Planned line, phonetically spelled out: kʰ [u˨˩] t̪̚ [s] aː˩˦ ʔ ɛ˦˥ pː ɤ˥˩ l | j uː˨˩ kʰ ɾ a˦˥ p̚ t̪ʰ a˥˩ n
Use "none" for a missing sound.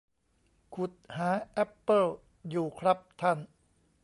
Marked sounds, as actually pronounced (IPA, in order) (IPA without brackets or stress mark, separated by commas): u˨˩, h